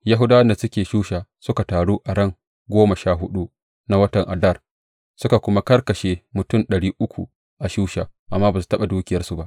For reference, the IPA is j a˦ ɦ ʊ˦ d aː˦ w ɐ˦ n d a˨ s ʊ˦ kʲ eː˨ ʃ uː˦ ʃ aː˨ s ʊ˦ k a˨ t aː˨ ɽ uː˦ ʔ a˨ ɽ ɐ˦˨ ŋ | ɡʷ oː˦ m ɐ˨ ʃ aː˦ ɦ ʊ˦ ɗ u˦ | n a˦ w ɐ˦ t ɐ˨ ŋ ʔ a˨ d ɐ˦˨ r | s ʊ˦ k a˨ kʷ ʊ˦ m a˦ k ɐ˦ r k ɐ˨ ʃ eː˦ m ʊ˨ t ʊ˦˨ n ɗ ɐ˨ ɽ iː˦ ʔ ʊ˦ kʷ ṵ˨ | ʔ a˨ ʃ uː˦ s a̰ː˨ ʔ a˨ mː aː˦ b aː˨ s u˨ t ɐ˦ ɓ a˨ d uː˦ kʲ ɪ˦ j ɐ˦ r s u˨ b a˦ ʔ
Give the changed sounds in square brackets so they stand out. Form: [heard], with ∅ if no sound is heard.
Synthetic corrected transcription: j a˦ ɦ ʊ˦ d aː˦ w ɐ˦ n d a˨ s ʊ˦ kʲ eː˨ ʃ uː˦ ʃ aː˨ s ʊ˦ k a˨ t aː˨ ɽ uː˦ ʔ a˨ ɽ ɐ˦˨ ŋ | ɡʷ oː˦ m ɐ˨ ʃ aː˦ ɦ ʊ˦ ɗ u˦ | n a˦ w ɐ˦ t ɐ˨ ŋ ʔ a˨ d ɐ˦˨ r | s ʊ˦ k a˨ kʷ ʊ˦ m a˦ k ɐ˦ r k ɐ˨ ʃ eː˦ m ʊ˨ t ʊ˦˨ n ɗ ɐ˨ ɽ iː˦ ʔ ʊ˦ kʷ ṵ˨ | ʔ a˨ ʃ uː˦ [ʃ] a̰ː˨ ʔ a˨ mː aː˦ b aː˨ s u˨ t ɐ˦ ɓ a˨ d uː˦ kʲ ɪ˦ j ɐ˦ r s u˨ b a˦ ʔ